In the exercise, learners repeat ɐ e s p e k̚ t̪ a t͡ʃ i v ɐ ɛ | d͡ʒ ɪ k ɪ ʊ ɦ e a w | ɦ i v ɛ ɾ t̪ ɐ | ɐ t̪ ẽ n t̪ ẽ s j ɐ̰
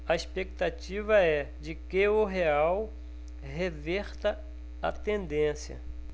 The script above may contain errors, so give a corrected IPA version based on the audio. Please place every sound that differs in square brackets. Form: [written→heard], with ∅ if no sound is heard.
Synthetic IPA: ɐ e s p e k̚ t̪ a t͡ʃ i v ɐ ɛ | d͡ʒ ɪ k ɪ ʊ ɦ e a w | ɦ [i→e] v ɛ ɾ t̪ ɐ | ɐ t̪ ẽ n [t̪→d̪] ẽ s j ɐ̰